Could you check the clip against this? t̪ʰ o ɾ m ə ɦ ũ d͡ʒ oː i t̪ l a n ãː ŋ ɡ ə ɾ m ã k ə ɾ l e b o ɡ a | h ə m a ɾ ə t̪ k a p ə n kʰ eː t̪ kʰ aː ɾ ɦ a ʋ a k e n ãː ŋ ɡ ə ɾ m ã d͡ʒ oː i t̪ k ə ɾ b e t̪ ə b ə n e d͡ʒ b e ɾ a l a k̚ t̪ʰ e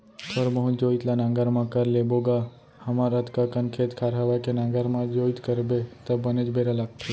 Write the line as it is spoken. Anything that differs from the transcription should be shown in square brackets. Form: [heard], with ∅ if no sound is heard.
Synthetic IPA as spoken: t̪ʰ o ɾ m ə ɦ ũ d͡ʒ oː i t̪ l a n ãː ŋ ɡ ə ɾ m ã k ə ɾ l e b o ɡ a | h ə m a ɾ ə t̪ k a [k] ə n kʰ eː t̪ kʰ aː ɾ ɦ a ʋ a k e n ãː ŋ ɡ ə ɾ m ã d͡ʒ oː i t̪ k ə ɾ b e t̪ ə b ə n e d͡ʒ b e ɾ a l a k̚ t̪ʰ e

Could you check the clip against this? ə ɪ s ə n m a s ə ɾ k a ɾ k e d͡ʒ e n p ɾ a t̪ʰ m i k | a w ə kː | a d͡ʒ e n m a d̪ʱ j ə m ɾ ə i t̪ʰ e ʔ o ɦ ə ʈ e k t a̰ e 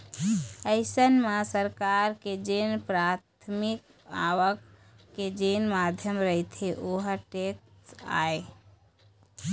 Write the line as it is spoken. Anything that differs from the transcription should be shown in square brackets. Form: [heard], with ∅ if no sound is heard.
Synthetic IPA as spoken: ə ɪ s ə n m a s ə ɾ k a ɾ k e d͡ʒ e n p ɾ a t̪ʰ m i k | a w ə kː | [e] d͡ʒ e n m a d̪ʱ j ə m ɾ ə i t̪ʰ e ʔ o ɦ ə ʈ e k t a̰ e

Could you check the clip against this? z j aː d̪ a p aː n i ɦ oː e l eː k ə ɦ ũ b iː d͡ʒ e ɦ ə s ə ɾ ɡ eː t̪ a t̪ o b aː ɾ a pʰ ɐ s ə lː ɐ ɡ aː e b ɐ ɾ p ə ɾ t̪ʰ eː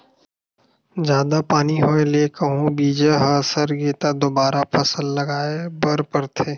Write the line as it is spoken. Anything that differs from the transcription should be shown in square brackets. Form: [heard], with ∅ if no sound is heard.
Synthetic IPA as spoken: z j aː d̪ a p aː n i ɦ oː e l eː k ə ɦ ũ b iː d͡ʒ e ɦ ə s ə ɾ ɡ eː t̪ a [d̪] o b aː ɾ a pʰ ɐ s ə lː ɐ ɡ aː e b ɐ ɾ p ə ɾ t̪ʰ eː

